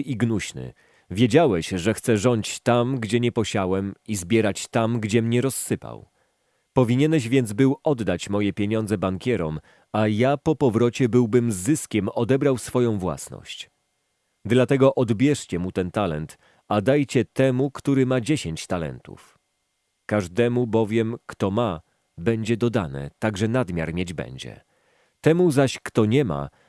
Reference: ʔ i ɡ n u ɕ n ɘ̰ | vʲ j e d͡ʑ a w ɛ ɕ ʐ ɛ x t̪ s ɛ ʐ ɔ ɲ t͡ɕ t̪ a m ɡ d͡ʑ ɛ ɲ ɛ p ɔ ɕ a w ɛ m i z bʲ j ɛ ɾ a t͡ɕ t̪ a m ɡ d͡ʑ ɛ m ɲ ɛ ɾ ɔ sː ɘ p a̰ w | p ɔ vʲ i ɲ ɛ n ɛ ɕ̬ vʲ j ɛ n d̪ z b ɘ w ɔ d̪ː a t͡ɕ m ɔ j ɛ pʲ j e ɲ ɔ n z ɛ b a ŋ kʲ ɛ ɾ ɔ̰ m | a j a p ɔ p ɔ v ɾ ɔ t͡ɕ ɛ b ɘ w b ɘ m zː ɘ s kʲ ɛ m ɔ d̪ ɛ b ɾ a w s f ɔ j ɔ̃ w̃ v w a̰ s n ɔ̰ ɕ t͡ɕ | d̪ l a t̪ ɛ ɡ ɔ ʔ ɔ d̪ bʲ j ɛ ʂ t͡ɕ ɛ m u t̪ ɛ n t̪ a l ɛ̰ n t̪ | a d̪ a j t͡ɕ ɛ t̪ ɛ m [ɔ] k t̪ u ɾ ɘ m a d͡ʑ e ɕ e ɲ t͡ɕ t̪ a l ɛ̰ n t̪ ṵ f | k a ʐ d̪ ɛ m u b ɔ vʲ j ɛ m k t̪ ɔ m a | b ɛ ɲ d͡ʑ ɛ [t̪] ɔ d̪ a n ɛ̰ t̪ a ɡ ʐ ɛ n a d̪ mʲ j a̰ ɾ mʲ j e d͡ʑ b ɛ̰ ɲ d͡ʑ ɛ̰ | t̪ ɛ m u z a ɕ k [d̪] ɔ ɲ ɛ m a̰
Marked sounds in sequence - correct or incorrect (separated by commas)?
incorrect, incorrect, incorrect